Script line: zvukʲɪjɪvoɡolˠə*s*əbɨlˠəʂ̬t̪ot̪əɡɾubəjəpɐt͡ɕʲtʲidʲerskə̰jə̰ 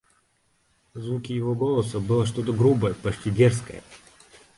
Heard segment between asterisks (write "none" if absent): s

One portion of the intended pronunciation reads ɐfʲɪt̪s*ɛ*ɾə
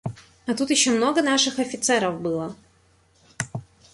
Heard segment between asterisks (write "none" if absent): ɛ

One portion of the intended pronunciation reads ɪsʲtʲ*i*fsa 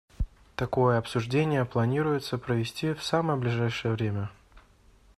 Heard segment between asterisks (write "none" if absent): i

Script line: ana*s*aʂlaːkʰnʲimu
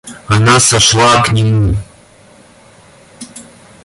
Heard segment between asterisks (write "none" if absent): s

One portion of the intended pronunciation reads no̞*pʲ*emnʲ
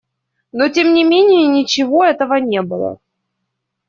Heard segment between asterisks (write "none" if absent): tʲ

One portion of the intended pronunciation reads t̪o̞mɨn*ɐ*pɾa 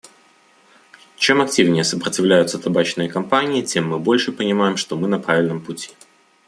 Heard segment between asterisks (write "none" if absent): ɐ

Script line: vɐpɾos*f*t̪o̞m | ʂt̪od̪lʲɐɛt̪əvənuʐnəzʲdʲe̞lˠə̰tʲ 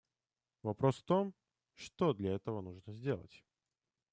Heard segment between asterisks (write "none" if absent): f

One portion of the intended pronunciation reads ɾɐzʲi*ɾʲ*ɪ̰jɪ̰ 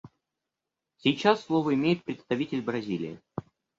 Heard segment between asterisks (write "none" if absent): lʲ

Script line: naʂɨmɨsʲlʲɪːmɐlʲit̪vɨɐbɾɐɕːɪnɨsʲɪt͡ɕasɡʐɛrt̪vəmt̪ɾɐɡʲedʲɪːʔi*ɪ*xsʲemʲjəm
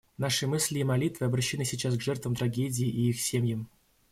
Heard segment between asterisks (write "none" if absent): i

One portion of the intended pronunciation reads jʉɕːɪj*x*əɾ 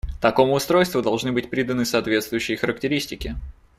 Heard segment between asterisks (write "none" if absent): x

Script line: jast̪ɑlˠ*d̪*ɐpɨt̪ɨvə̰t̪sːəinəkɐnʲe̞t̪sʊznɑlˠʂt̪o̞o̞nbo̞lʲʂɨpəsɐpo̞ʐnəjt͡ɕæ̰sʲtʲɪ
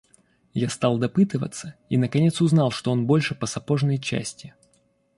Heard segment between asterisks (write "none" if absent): d̪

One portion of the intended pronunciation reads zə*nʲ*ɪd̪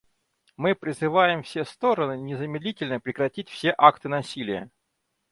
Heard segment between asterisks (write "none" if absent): mʲ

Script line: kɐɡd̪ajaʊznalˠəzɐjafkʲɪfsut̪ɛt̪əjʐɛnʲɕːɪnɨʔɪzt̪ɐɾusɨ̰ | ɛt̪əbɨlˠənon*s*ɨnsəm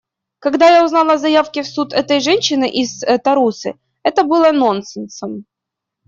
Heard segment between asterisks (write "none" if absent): s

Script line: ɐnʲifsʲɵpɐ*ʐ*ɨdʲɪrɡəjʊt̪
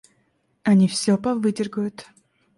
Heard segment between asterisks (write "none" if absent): v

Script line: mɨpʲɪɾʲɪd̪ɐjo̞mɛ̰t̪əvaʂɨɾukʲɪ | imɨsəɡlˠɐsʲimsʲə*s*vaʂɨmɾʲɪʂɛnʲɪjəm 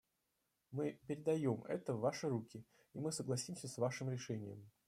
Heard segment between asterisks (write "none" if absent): s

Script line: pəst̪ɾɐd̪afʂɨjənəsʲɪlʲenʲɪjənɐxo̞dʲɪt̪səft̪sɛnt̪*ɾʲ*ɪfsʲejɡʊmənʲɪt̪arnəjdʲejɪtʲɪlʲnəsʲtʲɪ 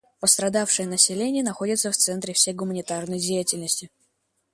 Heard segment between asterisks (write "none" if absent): ɾʲ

